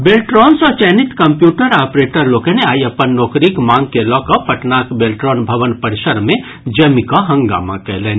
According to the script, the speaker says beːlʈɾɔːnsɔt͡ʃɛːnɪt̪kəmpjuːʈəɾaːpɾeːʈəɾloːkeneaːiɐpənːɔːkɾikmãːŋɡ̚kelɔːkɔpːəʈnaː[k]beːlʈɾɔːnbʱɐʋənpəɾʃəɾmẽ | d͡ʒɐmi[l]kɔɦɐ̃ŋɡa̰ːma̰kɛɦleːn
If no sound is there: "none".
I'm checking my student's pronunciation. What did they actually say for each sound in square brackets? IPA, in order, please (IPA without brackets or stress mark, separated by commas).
k, none